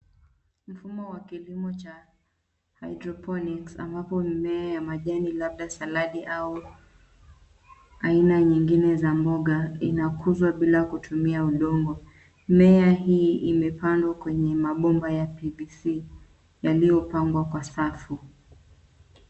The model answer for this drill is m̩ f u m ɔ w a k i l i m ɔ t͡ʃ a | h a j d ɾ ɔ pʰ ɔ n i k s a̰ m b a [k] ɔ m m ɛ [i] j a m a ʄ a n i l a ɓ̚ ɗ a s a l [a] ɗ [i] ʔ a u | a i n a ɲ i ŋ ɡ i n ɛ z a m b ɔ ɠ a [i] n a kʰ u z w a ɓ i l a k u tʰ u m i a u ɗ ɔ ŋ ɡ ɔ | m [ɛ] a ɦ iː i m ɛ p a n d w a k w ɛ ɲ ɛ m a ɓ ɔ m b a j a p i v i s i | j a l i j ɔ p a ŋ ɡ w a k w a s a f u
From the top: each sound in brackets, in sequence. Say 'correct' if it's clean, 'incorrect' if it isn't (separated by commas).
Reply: incorrect, incorrect, correct, correct, correct, correct